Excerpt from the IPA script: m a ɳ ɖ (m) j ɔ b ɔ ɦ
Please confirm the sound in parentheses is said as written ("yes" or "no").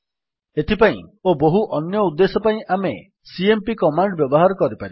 no